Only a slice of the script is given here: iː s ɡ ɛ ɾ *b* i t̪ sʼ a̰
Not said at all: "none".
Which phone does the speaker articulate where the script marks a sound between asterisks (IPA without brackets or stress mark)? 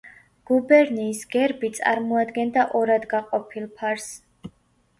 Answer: b